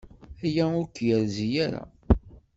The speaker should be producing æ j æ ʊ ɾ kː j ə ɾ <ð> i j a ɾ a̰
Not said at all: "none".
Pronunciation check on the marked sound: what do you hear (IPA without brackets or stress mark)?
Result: z